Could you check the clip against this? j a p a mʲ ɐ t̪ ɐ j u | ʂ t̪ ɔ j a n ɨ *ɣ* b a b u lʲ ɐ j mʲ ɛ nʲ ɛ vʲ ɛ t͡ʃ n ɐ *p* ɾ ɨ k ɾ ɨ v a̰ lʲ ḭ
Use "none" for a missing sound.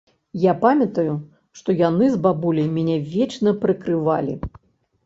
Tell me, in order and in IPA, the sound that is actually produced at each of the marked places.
z, p

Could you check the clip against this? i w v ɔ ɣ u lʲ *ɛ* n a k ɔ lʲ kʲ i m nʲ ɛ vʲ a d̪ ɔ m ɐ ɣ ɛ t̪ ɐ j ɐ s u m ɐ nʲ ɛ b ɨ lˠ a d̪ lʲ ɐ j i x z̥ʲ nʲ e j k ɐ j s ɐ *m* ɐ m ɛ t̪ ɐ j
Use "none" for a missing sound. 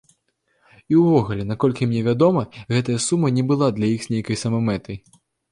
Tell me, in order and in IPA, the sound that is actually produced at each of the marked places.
ɛ, m

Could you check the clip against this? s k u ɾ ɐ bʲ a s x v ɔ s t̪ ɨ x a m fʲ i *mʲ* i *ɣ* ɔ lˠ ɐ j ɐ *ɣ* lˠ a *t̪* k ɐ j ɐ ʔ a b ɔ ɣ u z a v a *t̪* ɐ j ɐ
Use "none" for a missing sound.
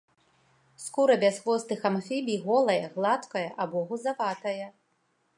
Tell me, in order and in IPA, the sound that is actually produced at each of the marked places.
bʲ, ɣ, ɣ, t̪, t̪

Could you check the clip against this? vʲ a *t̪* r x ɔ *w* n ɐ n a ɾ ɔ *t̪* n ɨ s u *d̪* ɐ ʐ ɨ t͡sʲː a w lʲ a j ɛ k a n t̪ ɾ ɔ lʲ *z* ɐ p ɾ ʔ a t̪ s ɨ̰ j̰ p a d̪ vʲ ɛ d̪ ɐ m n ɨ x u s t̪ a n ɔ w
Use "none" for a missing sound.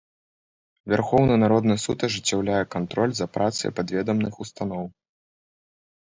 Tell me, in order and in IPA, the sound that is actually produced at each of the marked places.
none, w, d̪, t̪, z

